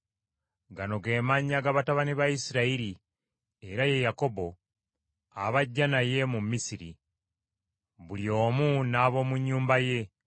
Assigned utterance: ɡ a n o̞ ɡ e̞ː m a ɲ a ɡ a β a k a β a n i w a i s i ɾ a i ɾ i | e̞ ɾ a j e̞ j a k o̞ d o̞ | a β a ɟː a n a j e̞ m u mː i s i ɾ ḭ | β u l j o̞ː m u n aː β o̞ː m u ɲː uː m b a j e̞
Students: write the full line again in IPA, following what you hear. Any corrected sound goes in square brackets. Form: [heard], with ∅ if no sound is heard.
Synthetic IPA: ɡ a n o̞ ɡ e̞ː m a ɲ a ɡ a β a [t] a β a n i [β] a i s i ɾ a i ɾ i | e̞ ɾ a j e̞ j a k o̞ [b] o̞ | a β a ɟː a n a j e̞ m u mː i s i ɾ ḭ | β u l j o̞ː m u n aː β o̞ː m u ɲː uː m b a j e̞